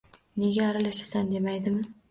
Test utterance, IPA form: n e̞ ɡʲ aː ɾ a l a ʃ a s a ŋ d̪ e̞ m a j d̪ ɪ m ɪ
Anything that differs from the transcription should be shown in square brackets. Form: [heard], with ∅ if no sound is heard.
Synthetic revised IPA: n e̞ ɡʲ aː ɾ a l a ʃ a s a [n] d̪ e̞ m a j d̪ ɪ m ɪ